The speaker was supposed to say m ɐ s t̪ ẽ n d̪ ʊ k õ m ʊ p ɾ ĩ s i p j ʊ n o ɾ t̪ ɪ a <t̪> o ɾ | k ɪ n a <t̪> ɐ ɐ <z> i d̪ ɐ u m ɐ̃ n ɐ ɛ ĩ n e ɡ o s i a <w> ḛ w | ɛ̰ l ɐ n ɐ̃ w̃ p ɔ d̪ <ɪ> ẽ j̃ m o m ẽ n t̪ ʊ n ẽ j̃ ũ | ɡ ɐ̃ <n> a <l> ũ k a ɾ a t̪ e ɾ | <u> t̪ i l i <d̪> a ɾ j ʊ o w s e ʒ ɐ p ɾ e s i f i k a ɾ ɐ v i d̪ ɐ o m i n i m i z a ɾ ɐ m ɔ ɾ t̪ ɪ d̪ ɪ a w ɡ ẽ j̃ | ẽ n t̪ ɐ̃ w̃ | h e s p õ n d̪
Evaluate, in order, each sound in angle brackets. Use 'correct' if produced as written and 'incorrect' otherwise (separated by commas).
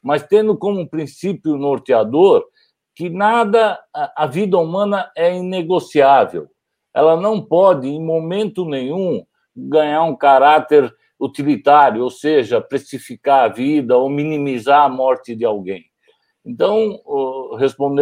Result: incorrect, incorrect, incorrect, incorrect, correct, incorrect, incorrect, correct, incorrect